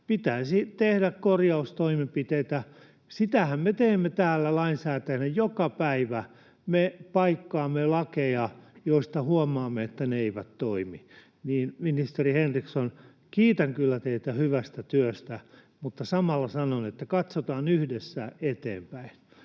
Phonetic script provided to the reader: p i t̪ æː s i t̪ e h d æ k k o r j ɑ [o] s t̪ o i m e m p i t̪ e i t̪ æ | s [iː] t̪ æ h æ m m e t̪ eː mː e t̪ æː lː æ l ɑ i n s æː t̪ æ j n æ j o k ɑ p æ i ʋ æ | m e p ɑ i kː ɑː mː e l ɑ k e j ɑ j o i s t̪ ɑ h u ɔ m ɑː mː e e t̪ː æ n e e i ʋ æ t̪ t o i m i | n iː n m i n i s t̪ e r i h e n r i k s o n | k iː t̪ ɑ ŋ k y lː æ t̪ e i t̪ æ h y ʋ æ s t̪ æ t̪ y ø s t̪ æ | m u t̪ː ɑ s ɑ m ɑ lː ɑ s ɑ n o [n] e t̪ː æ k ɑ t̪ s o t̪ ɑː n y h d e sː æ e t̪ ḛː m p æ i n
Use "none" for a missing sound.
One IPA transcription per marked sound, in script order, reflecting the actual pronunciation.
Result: u, i, n

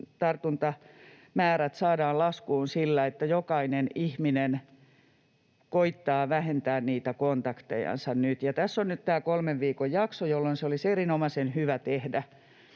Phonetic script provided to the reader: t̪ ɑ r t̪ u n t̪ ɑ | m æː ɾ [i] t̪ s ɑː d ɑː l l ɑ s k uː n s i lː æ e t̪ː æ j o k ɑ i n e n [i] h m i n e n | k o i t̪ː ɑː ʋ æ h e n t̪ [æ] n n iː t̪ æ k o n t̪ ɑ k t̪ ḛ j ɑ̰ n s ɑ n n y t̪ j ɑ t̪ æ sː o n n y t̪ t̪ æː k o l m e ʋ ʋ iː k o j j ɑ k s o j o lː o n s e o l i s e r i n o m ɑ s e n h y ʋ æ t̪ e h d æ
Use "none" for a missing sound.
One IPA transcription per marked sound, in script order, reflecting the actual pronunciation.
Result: æ, i, æː

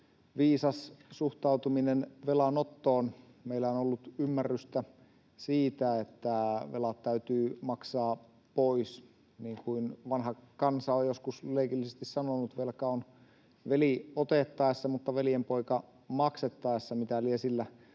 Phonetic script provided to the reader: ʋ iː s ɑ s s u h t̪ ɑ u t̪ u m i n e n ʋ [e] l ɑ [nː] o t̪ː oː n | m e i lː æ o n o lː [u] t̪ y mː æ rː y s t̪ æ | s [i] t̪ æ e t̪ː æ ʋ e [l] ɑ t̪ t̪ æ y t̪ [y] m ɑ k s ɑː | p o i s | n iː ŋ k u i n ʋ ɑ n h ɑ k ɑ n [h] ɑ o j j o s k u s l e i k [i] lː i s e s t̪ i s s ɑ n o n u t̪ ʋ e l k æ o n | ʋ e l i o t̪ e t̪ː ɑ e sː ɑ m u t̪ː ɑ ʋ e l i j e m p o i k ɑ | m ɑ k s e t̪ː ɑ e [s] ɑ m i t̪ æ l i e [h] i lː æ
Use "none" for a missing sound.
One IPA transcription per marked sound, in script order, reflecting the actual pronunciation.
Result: e, n, u, iː, l, yː, s, i, sː, s

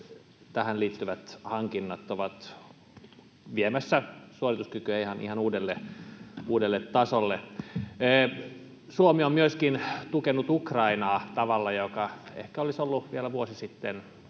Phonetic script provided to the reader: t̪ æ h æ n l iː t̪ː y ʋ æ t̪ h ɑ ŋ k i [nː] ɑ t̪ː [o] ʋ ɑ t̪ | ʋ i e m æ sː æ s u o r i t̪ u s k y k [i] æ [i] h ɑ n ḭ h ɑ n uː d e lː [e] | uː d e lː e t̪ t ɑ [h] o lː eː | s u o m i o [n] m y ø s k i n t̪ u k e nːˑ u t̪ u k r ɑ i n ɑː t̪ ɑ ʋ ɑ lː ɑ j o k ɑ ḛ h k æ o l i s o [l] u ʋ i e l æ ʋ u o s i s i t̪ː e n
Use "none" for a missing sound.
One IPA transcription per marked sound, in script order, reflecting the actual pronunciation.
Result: nː, o, y, i, e, s, m, lː

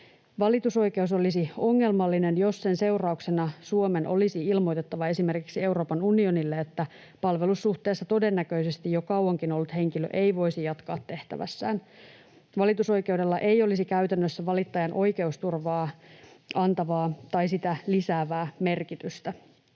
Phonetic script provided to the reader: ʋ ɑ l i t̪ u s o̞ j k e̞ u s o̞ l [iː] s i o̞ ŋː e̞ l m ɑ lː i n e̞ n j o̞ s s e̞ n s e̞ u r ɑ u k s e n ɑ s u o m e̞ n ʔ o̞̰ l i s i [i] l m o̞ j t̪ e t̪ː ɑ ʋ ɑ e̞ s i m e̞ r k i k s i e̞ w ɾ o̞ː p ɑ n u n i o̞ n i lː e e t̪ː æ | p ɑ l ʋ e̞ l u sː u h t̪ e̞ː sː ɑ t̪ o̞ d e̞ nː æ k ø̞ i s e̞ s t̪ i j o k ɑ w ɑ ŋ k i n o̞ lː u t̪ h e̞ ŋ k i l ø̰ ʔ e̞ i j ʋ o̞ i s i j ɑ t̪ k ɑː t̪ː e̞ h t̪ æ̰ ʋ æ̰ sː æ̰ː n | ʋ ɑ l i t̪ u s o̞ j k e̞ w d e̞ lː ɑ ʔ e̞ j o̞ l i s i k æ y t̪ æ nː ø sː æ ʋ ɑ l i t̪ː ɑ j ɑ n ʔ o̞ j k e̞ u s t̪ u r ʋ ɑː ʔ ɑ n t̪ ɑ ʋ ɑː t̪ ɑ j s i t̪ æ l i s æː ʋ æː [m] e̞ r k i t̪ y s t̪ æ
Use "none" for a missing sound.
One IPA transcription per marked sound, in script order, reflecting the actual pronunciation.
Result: i, i, m

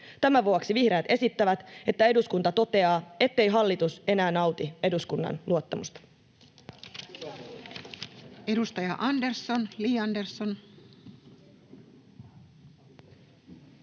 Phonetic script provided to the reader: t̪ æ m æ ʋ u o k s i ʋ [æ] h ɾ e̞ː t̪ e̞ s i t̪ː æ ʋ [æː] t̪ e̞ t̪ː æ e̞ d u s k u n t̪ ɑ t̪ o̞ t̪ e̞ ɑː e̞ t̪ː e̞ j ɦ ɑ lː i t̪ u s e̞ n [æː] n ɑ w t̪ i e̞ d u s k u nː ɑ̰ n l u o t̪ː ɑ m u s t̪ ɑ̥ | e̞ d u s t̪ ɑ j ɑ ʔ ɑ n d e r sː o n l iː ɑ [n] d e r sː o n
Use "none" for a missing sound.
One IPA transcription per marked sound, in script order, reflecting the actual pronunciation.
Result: i, æ, æː, n

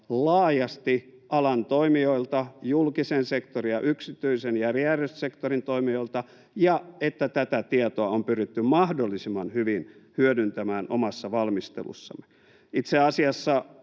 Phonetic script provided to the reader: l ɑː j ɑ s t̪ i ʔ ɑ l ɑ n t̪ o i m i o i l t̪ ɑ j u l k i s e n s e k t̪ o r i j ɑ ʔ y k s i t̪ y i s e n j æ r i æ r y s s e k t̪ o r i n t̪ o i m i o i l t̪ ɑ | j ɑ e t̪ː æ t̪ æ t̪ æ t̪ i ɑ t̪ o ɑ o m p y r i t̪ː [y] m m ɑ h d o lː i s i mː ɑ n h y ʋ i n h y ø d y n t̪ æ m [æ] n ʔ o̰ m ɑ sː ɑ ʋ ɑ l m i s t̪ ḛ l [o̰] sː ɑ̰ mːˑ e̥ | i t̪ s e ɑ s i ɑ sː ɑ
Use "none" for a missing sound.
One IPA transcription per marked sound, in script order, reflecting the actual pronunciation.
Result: y, æː, ṵ

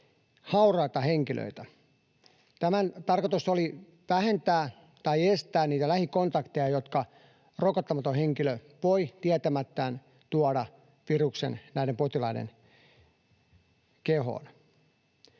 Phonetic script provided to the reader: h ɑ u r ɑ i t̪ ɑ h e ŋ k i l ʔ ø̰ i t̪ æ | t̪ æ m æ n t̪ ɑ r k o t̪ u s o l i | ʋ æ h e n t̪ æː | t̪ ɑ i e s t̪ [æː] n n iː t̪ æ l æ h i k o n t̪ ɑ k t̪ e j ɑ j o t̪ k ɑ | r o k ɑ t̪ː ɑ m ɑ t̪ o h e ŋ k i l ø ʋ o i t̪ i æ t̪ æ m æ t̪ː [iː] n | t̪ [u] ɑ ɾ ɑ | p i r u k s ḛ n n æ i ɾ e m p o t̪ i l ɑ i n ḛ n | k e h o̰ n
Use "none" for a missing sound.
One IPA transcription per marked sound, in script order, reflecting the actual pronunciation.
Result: æː, æː, u

